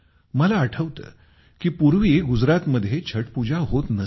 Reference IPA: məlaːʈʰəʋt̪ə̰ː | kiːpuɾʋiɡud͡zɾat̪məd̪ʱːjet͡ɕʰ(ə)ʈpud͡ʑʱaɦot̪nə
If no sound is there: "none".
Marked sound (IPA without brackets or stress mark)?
ə